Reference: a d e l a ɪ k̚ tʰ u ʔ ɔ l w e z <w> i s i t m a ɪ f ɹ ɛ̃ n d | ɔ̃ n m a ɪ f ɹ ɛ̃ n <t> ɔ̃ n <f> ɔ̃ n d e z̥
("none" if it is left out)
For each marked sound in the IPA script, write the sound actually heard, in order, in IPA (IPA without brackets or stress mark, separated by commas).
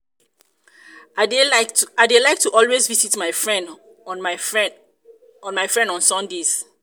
v, d, s